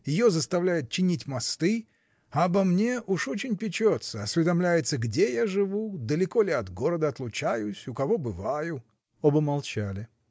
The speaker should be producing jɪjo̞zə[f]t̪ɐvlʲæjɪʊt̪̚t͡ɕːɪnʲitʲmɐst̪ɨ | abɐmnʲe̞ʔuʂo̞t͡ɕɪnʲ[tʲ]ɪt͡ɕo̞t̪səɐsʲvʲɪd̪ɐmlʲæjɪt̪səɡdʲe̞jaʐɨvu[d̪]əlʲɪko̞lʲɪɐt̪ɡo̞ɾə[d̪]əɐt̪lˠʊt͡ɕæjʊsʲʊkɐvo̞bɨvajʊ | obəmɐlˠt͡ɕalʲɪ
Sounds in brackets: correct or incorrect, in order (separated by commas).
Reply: incorrect, incorrect, correct, correct